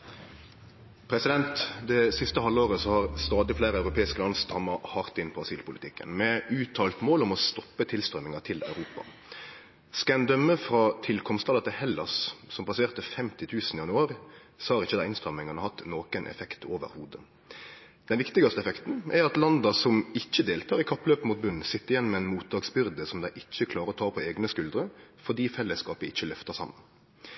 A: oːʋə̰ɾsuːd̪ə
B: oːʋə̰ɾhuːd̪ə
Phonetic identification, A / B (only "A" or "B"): B